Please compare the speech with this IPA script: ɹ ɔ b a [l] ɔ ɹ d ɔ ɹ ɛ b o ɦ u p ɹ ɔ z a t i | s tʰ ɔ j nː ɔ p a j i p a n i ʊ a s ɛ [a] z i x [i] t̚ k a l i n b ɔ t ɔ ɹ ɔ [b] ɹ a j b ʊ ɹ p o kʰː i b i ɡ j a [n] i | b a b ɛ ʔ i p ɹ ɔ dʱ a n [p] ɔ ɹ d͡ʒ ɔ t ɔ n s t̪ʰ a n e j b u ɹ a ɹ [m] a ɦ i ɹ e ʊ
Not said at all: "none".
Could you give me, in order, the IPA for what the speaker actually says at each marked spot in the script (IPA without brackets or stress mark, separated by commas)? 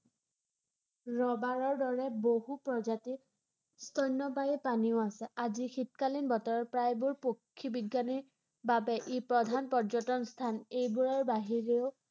ɹ, a, i, p, n, p, b